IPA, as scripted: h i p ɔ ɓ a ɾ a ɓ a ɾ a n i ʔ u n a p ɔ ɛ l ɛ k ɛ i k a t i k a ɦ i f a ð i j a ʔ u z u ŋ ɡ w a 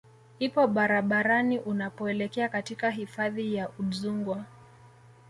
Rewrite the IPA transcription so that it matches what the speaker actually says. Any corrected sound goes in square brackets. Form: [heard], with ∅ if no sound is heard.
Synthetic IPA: h i p ɔ ɓ a ɾ a ɓ a ɾ a n i ʔ u n a p ɔ ɛ l ɛ k ɛ [a] k a t i k a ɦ i f a ð i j a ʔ u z u ŋ ɡ w a